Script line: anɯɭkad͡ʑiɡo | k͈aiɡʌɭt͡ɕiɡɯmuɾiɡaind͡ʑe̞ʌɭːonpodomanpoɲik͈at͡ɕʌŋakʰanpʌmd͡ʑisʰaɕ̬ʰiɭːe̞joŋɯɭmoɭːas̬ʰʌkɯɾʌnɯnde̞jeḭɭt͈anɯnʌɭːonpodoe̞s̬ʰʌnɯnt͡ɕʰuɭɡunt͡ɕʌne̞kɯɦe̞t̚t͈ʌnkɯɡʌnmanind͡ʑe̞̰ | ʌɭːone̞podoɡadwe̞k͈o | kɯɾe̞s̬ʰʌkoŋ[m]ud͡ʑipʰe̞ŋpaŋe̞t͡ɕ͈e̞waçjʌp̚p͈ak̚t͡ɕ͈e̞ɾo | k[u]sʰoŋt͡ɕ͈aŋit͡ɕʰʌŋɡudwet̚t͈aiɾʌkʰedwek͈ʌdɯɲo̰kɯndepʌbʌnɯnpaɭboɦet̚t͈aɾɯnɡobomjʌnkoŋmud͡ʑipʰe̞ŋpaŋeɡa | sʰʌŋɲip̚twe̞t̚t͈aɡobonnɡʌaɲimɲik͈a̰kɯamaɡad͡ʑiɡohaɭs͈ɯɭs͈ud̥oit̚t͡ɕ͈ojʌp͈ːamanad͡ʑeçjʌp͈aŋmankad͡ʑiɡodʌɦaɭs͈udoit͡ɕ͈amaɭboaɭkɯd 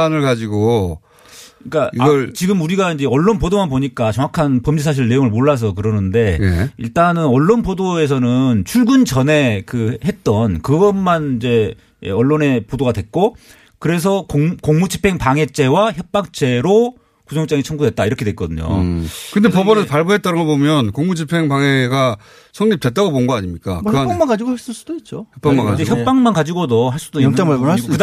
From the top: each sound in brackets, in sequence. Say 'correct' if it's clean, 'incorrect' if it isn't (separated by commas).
correct, correct